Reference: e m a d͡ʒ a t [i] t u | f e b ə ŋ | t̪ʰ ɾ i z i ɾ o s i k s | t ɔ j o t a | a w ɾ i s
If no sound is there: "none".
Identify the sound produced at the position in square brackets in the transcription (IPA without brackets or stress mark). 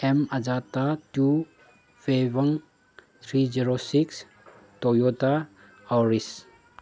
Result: a